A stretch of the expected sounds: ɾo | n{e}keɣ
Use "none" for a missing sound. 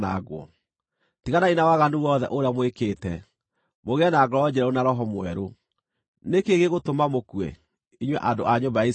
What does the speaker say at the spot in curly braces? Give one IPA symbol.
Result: e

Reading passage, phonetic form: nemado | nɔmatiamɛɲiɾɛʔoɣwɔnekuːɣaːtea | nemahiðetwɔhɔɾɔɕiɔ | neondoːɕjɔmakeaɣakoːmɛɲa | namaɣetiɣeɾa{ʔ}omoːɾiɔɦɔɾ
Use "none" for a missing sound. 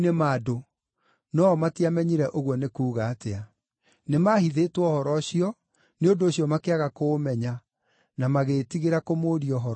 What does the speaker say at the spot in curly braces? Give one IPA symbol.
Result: k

